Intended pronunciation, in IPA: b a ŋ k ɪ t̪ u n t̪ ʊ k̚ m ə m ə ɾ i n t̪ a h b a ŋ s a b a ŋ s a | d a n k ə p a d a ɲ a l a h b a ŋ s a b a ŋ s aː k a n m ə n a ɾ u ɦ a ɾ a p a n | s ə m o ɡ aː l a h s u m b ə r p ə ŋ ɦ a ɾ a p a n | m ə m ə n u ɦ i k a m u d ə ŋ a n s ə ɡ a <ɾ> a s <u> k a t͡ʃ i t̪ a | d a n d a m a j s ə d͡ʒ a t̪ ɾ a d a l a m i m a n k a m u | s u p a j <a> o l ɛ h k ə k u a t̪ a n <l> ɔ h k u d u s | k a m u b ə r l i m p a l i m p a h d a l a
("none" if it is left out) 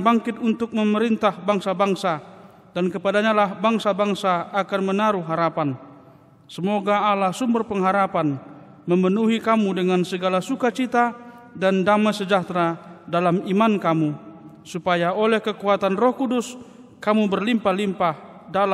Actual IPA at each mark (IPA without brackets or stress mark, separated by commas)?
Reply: l, u, a, r